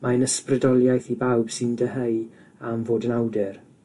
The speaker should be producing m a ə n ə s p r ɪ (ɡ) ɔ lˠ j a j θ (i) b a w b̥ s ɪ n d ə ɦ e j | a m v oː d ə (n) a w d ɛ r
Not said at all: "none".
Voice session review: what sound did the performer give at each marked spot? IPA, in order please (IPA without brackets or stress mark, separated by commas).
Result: d, i, n